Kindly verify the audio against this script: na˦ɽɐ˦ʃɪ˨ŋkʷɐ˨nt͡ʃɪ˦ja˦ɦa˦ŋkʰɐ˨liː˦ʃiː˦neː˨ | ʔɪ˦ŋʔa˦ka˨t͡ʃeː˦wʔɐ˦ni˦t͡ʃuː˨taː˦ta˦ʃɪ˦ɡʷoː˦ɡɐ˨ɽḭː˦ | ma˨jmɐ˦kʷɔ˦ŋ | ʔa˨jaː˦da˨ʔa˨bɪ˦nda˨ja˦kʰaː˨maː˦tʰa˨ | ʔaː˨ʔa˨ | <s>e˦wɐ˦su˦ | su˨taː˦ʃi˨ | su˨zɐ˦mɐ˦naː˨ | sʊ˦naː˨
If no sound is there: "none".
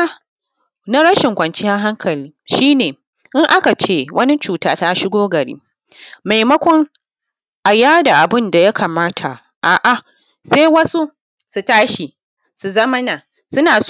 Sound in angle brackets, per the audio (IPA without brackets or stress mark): s